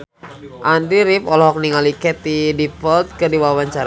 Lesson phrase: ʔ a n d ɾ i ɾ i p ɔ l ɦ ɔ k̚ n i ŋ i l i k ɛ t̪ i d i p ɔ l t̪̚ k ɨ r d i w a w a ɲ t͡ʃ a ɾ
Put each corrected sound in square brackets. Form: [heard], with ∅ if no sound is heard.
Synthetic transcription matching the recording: ʔ a n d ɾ i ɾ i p ɔ l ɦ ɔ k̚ n i ŋ [a] l i k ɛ t̪ i d i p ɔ l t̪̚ k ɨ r d i w a w a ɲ t͡ʃ a ɾ